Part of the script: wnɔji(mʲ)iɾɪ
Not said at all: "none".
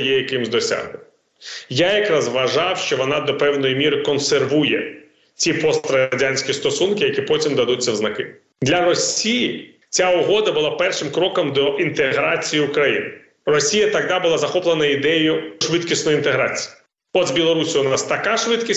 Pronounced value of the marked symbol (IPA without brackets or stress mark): mʲ